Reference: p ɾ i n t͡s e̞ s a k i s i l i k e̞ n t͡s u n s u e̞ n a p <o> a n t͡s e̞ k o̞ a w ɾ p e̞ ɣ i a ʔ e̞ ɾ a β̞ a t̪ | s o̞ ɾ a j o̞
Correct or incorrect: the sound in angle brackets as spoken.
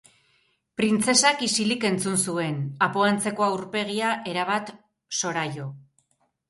correct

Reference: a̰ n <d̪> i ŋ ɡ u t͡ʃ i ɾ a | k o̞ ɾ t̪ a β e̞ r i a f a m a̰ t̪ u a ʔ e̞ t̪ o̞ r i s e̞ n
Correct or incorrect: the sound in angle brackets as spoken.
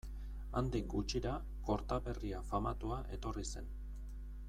correct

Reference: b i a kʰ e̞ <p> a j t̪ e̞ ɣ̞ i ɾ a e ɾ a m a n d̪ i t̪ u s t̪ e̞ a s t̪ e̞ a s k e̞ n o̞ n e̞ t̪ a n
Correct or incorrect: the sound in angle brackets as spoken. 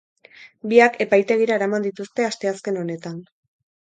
correct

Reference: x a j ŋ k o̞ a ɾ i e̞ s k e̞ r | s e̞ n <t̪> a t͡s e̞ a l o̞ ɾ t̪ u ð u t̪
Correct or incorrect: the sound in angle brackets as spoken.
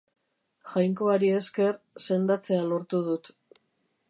incorrect: d̪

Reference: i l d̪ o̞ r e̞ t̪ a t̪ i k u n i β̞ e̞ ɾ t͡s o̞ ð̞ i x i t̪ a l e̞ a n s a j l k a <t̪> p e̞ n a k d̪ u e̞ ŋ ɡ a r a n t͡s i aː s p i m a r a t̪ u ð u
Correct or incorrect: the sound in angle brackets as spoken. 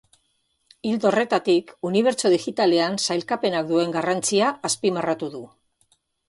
incorrect: none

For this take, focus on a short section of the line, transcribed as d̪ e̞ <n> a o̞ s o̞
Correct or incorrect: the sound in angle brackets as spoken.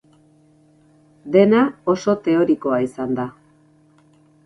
correct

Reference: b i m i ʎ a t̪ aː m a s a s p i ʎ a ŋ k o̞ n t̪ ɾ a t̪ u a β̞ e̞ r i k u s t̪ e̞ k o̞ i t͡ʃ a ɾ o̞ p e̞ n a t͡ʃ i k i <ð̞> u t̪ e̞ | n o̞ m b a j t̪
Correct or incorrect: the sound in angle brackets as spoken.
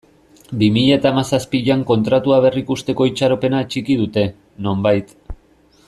correct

